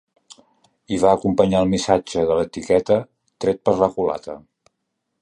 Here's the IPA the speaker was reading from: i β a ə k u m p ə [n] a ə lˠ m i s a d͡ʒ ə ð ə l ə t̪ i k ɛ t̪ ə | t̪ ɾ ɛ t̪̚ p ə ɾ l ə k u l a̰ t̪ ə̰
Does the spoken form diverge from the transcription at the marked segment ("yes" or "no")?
yes